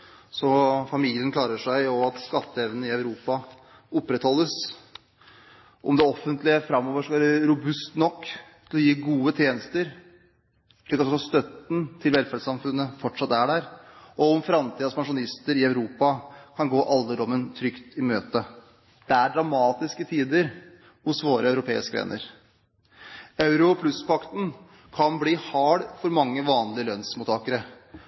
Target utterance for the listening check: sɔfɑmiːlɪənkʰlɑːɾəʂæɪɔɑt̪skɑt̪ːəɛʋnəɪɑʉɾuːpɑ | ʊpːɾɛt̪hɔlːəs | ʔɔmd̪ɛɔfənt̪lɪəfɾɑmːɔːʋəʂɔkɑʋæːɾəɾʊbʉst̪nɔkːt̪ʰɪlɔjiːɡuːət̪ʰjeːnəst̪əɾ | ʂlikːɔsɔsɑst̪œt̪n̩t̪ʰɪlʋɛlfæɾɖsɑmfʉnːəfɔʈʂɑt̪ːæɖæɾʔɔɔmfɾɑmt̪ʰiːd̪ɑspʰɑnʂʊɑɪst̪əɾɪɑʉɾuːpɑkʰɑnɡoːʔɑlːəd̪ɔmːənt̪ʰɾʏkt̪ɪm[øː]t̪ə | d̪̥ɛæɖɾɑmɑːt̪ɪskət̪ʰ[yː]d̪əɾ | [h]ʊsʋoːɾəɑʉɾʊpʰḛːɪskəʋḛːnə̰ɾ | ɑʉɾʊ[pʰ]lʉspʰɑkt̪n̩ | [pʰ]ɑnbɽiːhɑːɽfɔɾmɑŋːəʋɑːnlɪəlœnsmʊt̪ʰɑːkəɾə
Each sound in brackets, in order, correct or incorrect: correct, incorrect, correct, correct, incorrect

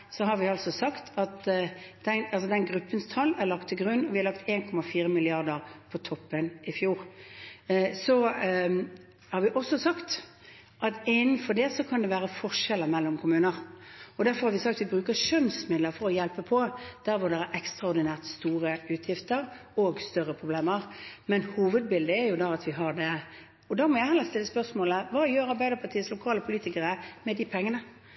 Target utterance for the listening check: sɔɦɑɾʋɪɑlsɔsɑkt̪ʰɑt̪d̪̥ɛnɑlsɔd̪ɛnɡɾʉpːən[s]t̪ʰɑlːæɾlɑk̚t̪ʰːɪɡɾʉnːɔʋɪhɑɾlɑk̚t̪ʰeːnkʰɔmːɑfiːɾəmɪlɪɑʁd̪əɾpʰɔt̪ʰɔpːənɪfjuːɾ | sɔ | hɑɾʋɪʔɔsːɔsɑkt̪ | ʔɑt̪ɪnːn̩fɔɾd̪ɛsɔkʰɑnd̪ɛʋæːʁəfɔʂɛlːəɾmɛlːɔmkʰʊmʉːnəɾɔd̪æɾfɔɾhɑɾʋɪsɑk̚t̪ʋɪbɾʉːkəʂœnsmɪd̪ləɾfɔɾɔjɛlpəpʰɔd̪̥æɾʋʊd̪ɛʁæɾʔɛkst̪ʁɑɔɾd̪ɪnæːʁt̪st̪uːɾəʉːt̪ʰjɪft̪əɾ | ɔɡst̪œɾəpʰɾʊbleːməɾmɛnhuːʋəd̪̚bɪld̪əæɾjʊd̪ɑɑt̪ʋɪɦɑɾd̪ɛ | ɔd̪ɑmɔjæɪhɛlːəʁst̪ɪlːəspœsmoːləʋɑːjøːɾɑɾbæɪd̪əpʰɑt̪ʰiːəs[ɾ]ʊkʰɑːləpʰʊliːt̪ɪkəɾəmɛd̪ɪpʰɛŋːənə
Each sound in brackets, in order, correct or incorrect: correct, incorrect

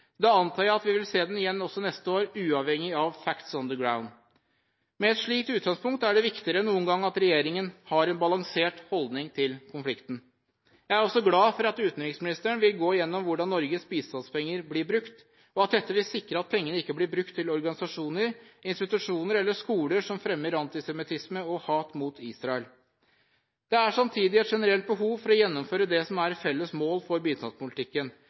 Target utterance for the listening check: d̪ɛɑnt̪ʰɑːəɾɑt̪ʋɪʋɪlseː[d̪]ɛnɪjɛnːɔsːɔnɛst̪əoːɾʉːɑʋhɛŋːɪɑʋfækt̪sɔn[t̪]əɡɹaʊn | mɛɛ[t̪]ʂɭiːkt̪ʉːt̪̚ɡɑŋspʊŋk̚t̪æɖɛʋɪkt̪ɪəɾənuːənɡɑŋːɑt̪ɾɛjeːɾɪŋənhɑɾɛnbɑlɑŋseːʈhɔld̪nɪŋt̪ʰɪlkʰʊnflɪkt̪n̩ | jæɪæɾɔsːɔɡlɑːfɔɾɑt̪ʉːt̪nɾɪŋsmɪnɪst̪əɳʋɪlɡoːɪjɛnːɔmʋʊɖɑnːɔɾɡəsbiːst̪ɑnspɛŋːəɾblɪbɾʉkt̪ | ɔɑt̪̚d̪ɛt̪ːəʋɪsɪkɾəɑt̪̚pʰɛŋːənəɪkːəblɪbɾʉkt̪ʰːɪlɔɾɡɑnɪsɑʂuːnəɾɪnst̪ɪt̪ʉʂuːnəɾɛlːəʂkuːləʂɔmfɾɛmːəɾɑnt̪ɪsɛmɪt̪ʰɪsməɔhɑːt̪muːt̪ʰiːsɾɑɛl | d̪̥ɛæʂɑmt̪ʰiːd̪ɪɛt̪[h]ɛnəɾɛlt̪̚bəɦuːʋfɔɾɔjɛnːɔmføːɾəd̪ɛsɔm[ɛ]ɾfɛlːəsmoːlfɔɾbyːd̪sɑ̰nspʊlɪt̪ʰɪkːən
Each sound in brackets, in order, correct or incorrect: correct, incorrect, correct, incorrect, incorrect

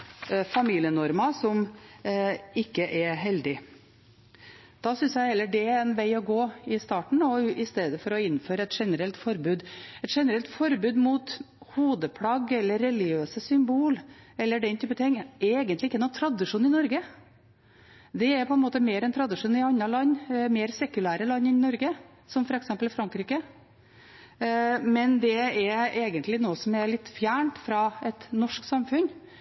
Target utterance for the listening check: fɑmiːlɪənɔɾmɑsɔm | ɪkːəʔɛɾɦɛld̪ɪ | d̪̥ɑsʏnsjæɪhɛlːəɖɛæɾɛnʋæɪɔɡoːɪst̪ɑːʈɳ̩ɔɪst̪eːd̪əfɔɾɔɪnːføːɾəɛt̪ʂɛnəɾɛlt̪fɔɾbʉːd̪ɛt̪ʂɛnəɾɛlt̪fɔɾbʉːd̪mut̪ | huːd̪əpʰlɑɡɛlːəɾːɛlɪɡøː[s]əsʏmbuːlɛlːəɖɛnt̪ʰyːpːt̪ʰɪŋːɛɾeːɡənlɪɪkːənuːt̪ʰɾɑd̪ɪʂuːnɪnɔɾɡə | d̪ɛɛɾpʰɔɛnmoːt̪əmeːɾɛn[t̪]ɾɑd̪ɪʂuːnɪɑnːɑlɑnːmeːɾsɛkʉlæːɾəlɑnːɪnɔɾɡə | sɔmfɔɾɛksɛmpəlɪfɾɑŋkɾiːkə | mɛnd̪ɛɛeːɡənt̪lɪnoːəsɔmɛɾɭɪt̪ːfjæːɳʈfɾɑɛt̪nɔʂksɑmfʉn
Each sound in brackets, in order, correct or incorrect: correct, incorrect

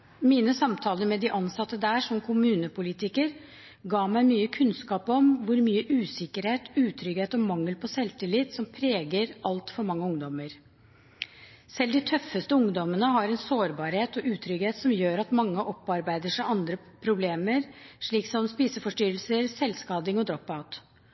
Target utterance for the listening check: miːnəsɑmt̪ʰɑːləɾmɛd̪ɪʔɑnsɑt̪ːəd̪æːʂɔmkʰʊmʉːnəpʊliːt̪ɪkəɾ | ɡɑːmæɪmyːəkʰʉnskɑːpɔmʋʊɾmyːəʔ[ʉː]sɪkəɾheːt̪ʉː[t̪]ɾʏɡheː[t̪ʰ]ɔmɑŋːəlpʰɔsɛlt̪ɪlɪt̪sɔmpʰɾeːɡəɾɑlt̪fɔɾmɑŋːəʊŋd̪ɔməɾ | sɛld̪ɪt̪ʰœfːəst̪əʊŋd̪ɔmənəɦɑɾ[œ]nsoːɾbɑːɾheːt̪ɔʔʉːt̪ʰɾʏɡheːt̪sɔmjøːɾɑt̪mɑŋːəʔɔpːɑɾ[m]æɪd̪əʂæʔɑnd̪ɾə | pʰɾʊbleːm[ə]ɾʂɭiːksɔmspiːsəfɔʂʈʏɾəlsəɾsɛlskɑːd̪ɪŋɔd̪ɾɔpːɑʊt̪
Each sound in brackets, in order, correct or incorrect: correct, incorrect, incorrect, incorrect, incorrect, correct

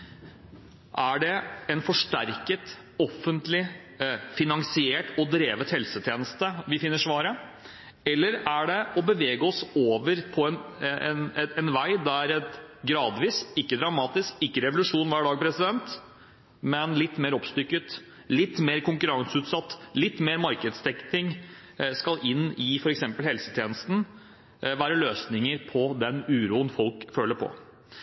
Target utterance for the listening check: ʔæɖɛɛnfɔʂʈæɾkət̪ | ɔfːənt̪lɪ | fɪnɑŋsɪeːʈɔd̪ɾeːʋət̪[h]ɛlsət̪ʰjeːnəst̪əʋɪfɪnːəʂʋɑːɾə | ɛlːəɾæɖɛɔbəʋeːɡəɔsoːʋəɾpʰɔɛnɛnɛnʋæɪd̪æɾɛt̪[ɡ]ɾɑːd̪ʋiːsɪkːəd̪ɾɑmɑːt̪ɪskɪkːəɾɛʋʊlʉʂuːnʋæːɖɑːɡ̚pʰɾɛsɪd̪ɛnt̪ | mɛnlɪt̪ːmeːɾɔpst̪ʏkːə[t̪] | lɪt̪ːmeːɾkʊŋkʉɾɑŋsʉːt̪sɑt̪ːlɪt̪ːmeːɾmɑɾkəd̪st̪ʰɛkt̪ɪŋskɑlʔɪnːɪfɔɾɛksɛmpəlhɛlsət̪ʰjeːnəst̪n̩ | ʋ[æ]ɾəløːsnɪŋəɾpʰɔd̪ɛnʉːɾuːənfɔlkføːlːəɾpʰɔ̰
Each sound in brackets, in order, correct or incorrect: correct, correct, correct, incorrect

